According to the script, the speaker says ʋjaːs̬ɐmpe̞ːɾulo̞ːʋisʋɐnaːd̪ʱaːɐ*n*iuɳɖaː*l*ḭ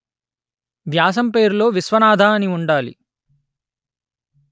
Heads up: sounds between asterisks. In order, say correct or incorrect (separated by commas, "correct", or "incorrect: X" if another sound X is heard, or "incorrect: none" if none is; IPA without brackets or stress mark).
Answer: correct, correct